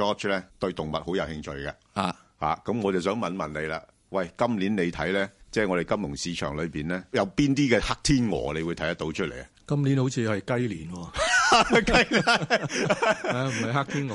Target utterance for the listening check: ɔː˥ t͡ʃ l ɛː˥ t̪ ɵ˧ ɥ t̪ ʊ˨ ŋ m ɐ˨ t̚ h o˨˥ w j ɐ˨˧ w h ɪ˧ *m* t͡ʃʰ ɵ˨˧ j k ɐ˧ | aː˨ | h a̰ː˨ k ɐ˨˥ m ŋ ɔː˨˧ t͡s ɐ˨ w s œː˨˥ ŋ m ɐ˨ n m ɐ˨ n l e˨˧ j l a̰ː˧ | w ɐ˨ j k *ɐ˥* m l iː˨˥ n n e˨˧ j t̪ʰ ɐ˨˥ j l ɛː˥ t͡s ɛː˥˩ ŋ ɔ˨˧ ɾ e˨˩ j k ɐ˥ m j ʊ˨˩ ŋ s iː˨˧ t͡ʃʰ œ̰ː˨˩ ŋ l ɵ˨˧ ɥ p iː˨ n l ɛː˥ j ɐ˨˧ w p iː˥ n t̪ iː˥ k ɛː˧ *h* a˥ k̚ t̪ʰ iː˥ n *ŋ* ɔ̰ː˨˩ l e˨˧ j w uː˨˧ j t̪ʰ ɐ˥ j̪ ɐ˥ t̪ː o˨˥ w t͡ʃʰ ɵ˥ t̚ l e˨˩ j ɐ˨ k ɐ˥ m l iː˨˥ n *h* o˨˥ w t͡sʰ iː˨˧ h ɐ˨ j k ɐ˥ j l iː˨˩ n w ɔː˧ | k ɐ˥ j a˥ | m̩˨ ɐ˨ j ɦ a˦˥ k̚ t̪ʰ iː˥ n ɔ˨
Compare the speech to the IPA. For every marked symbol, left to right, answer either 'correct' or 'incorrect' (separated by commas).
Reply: incorrect, correct, correct, correct, correct